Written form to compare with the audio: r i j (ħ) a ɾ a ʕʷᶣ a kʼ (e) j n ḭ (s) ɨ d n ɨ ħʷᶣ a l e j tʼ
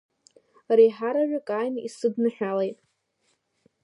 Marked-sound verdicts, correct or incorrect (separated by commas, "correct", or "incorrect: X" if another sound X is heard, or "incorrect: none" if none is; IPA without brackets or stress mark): correct, incorrect: a, correct